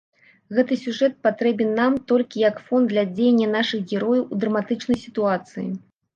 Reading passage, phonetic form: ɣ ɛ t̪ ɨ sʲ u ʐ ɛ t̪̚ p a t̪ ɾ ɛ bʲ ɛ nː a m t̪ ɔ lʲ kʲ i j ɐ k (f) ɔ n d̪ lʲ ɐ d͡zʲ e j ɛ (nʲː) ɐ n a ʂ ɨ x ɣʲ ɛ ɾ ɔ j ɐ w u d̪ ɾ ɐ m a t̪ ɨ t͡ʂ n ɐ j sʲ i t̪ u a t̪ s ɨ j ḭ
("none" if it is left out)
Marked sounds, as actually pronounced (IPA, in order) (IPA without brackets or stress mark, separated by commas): f, nʲː